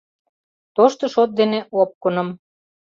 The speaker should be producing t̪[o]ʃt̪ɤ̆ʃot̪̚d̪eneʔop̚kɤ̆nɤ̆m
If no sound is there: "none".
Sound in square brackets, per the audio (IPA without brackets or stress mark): o